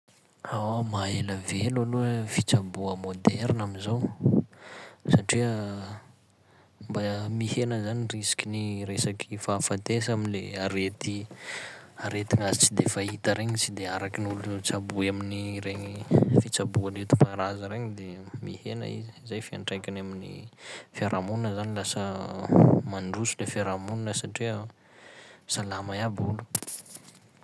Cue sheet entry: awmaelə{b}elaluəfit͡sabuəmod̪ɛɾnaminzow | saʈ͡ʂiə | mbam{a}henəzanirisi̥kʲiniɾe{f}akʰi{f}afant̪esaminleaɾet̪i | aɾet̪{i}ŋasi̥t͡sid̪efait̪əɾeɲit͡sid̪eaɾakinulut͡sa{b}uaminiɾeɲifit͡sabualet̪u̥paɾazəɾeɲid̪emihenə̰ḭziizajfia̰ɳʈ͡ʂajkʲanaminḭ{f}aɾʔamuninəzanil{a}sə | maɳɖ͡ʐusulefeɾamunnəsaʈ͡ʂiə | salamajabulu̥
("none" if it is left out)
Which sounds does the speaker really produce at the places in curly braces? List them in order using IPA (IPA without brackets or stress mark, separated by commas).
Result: v, i, s, f, i, b, f, a